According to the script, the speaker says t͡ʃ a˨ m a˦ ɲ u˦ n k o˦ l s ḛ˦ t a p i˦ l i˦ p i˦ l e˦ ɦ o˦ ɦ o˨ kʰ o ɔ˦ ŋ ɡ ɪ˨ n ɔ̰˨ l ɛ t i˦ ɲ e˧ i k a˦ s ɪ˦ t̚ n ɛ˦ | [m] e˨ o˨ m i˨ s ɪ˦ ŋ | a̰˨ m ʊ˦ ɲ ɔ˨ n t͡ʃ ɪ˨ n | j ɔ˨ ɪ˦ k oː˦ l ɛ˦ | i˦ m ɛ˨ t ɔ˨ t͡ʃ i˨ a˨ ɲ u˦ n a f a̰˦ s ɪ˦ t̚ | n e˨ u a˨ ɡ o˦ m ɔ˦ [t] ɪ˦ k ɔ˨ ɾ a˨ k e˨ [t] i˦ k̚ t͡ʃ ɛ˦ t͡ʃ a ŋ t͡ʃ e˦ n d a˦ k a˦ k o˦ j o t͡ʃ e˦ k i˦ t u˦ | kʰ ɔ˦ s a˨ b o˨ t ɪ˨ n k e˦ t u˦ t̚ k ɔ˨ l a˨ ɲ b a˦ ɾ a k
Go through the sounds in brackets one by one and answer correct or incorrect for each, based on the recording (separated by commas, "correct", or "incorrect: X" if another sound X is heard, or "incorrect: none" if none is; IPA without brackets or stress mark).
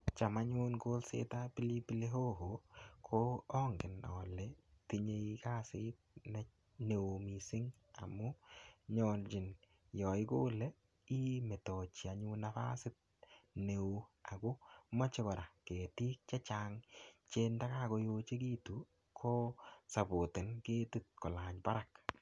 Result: incorrect: n, incorrect: t͡ʃ, correct